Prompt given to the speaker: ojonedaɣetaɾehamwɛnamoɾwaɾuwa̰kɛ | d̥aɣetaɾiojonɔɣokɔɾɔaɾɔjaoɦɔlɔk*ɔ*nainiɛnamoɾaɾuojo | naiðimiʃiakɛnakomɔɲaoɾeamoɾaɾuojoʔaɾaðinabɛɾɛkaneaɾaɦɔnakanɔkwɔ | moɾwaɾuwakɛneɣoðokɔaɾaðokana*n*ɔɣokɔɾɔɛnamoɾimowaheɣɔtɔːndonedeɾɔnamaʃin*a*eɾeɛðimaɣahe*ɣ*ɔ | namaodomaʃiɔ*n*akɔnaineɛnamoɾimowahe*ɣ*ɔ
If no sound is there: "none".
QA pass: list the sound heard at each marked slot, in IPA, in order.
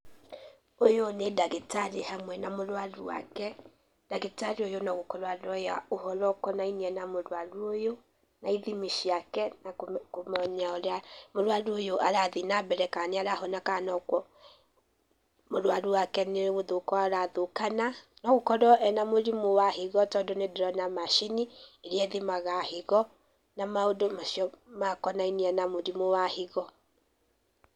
ɔ, n, i, ɣ, m, ɣ

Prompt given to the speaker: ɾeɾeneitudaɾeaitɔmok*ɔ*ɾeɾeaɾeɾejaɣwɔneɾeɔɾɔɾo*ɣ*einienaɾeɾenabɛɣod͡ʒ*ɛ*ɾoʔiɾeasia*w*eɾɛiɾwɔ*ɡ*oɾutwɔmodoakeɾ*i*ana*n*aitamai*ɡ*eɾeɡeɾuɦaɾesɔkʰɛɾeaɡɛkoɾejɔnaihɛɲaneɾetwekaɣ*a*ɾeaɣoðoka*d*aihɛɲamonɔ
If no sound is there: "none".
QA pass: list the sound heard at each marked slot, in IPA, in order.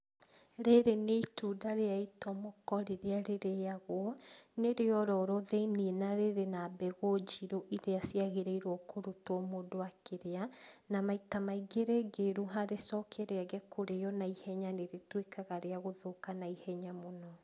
ɔ, ð, i, ɣ, k, e, m, ɡ, a, n

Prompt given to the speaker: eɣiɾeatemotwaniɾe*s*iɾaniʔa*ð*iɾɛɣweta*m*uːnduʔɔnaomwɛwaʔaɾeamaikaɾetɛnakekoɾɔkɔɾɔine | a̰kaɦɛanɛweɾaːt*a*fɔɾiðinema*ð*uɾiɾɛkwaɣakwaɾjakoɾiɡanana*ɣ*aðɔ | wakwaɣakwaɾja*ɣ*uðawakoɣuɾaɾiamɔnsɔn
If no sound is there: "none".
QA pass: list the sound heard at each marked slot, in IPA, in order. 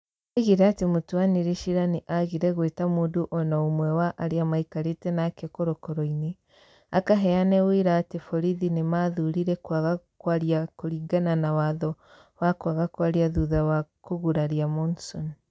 ʃ, ɣ, m, e, ð, w, ð

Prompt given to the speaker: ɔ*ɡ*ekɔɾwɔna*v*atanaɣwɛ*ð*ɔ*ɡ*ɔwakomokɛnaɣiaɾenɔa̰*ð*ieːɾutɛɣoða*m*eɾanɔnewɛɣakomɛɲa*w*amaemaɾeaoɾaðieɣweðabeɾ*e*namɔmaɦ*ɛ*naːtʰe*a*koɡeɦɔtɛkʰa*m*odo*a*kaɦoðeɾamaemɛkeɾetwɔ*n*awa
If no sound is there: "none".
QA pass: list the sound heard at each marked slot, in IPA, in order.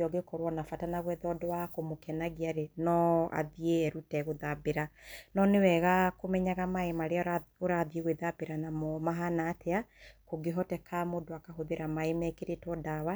ɡ, f, ð, d, ð, b, ɣ, a, a, a, m, a, d

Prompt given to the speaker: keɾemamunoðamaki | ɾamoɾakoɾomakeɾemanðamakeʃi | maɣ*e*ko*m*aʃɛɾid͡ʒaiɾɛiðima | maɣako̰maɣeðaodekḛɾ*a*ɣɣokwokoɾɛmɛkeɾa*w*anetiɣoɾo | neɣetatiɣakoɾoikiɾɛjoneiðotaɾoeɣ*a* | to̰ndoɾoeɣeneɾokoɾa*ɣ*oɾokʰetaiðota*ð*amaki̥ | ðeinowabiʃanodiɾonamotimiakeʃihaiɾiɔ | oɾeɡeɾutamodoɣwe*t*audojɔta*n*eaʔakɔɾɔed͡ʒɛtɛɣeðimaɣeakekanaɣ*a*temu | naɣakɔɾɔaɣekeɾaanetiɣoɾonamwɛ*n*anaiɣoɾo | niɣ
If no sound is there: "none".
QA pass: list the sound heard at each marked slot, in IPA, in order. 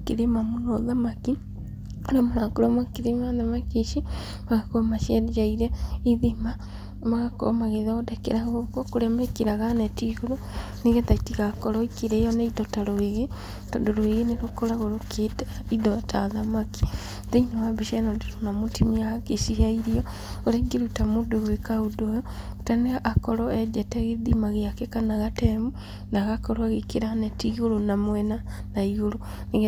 a, m, a, ɣ, e, ɣ, ð, k, n, a, n

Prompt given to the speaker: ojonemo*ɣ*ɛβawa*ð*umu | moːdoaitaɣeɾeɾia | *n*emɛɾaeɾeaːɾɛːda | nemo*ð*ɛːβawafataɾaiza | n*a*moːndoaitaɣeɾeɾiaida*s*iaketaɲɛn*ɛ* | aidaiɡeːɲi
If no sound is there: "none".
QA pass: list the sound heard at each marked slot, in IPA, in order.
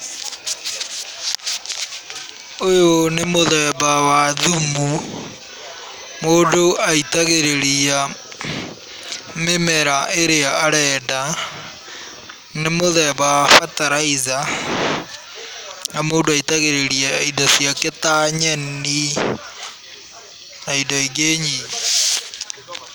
ð, ð, m, ð, a, s, i

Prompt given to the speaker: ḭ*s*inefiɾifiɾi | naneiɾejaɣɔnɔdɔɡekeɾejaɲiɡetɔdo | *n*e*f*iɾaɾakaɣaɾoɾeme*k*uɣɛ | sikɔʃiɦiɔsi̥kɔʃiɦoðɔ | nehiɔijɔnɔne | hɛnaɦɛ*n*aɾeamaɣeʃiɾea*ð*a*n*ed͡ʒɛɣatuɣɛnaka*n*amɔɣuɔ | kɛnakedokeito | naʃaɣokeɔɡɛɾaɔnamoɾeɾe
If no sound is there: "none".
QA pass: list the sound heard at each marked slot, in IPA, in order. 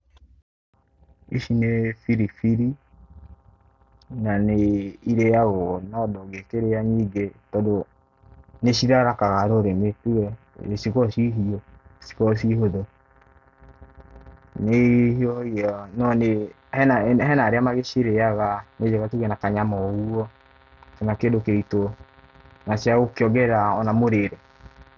ʃ, n, ʃ, t, n, ɣ, n, ɲ

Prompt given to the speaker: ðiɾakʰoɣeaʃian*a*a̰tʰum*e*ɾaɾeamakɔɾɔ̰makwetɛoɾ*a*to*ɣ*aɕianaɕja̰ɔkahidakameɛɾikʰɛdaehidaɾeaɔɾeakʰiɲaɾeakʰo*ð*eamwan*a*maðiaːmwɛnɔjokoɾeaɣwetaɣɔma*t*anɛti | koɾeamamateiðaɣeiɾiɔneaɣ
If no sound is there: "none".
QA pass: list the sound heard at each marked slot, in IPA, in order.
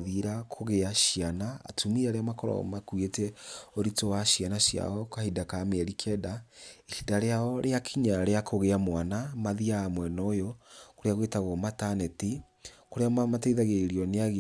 a, i, i, w, ɣ, a, t

